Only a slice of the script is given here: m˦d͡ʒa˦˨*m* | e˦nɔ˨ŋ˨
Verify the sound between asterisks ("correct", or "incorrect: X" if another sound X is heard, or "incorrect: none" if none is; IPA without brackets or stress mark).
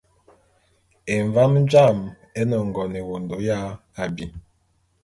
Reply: correct